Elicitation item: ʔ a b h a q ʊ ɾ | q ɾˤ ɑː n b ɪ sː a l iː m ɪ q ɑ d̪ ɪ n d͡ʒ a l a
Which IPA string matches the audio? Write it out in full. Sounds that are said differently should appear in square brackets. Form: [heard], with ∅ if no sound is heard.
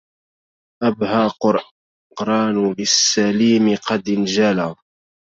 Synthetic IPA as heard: ʔ a b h a q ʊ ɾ | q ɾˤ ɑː n b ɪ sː a l iː m ɪ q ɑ d̪ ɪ n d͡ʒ a l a